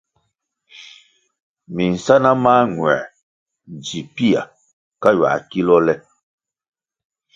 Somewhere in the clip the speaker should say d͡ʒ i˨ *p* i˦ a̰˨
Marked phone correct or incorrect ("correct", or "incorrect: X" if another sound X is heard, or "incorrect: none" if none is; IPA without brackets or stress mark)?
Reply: correct